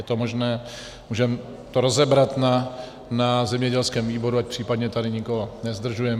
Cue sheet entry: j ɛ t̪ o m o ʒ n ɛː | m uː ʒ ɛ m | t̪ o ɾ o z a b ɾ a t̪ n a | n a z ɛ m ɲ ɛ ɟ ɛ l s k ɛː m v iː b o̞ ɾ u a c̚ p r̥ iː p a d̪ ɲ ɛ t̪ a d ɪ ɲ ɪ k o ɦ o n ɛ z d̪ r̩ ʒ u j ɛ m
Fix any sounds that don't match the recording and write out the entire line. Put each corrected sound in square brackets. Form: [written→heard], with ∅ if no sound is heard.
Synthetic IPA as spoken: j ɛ t̪ o m o ʒ n ɛː | m uː ʒ ɛ m | t̪ o ɾ o z [a→ɛ] b ɾ a t̪ n a | n a z ɛ m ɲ ɛ ɟ ɛ l s k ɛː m v iː b o̞ ɾ u a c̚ p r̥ iː p a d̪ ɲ ɛ t̪ a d ɪ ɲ ɪ k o ɦ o n ɛ z d̪ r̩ ʒ u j ɛ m